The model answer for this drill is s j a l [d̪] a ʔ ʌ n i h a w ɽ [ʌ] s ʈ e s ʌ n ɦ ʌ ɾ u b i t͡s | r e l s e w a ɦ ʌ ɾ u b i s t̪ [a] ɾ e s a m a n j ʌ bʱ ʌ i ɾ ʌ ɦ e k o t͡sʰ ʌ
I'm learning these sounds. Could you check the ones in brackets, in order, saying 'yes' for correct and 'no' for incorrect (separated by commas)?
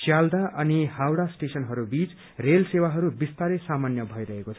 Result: yes, no, yes